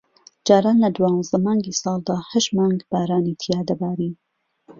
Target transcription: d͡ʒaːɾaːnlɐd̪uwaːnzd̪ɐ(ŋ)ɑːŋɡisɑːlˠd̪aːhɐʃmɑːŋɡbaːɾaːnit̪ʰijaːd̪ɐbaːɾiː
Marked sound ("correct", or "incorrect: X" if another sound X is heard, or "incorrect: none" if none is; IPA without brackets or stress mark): incorrect: m